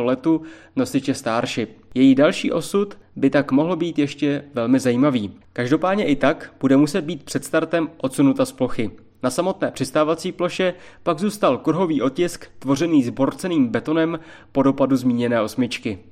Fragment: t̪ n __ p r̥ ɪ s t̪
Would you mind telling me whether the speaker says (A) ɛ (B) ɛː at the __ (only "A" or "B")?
B